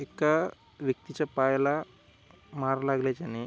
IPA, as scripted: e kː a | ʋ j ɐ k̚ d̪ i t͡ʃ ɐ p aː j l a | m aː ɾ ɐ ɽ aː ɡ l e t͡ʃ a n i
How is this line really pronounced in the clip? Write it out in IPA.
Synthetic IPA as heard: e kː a | ʋ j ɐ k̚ t̪ i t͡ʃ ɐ p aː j l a | m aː ɾ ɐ l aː ɡ l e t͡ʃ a n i